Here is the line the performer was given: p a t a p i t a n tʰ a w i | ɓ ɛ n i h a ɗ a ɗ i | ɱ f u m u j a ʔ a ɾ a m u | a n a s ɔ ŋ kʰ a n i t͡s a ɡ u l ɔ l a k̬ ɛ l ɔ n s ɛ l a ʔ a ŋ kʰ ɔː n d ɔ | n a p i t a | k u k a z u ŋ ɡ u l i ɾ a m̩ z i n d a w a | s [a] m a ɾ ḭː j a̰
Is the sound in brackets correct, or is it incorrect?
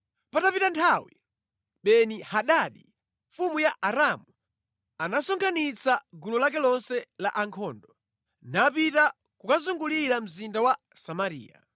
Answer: correct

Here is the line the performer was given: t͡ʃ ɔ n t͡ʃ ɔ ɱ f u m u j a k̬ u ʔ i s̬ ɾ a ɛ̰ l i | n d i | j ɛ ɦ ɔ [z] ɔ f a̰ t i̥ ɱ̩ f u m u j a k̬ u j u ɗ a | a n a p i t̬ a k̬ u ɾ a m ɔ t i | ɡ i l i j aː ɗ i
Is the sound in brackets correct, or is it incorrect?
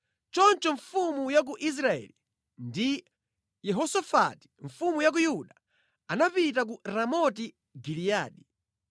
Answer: incorrect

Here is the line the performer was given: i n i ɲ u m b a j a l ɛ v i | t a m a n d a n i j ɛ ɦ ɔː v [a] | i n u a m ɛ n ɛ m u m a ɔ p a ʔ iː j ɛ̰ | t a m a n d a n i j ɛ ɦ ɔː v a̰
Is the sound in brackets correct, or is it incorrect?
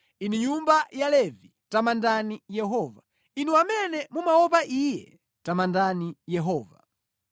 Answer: correct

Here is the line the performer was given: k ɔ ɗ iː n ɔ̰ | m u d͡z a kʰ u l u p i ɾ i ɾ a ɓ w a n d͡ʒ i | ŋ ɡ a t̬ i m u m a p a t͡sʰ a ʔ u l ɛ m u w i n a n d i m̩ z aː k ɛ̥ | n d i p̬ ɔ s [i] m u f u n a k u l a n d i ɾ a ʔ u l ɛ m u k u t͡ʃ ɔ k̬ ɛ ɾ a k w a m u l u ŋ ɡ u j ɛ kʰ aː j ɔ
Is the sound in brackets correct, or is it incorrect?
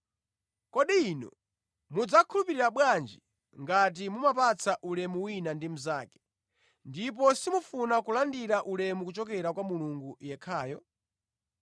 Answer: correct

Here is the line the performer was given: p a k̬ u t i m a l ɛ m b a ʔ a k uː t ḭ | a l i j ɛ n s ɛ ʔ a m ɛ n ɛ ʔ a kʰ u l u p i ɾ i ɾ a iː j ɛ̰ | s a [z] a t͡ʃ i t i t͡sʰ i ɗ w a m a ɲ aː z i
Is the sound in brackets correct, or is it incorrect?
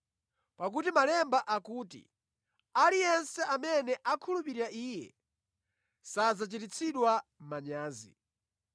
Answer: correct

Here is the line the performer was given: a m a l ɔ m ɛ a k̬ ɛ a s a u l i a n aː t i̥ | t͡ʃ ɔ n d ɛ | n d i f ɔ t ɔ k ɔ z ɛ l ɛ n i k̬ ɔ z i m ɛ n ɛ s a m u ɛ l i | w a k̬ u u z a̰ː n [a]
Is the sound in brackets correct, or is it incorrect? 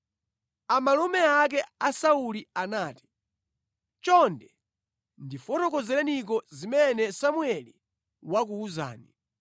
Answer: incorrect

